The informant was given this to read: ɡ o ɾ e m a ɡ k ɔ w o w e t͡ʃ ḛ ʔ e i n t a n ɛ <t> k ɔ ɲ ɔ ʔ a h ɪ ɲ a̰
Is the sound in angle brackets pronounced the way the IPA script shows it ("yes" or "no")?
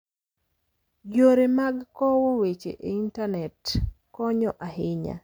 yes